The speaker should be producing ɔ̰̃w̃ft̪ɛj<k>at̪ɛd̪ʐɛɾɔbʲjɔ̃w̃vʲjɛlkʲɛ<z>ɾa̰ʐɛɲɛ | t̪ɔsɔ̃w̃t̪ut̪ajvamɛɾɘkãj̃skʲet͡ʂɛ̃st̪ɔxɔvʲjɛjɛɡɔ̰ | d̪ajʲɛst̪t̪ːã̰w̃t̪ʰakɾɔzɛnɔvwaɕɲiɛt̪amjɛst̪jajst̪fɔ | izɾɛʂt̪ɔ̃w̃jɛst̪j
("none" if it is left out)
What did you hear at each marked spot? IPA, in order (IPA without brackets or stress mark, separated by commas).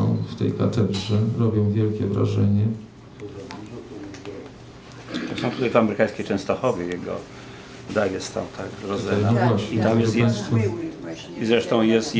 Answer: k, v